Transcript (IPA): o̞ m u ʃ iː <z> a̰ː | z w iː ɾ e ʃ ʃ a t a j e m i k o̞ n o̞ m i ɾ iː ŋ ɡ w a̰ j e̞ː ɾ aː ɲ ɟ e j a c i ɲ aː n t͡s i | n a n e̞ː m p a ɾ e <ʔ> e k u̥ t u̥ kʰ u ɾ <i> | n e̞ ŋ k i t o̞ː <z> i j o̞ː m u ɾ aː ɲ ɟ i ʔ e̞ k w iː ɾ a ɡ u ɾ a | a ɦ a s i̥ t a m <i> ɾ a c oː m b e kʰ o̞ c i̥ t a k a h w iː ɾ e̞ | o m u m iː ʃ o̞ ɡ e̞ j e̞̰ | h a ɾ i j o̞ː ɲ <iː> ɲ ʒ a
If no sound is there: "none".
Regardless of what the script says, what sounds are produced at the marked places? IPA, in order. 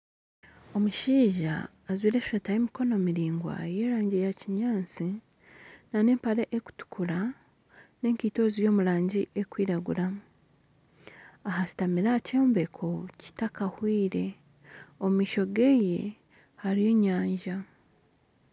ʒ, ʔ, a, z, i, aː

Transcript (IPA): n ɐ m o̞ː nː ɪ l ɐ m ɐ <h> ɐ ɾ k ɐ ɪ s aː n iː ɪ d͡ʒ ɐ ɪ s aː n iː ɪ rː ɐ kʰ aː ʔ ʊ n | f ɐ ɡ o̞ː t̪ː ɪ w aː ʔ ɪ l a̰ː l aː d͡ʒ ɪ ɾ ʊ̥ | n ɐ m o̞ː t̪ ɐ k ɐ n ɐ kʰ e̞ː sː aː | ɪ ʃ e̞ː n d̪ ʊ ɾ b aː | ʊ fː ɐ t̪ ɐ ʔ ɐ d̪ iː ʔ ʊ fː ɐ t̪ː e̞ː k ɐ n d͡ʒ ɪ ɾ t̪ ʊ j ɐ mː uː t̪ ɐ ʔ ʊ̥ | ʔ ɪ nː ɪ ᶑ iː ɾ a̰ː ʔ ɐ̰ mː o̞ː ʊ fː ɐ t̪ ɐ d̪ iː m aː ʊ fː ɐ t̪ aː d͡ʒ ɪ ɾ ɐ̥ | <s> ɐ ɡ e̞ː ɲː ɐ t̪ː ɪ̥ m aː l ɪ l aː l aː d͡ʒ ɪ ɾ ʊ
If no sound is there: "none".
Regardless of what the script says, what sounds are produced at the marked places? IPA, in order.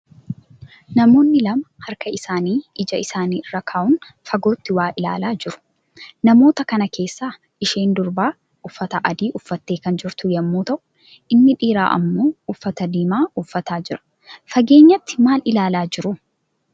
h, f

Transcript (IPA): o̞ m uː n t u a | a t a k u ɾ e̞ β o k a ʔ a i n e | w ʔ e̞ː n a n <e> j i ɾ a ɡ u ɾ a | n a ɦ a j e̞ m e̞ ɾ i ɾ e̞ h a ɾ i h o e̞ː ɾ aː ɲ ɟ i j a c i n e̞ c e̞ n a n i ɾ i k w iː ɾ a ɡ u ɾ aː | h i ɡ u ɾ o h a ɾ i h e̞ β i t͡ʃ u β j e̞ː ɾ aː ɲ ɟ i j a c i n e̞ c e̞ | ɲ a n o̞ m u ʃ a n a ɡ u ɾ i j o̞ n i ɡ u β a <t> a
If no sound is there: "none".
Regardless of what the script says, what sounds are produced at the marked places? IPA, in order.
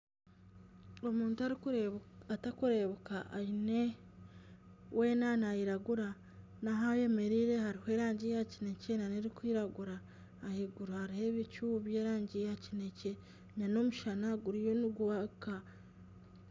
a, k

